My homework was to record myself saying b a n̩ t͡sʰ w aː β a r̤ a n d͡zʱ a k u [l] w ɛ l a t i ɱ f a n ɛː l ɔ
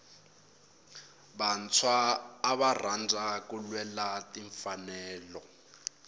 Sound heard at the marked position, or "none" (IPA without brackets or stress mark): l